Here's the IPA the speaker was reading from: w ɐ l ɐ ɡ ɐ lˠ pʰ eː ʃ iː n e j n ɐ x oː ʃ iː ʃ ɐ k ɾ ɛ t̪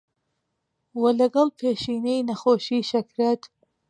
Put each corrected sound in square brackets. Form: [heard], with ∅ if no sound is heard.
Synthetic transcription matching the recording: w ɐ l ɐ ɡ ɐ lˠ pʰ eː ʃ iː n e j n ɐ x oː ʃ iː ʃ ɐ k ɾ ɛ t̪